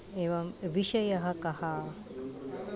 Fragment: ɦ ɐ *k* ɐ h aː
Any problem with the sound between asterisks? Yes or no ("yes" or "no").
no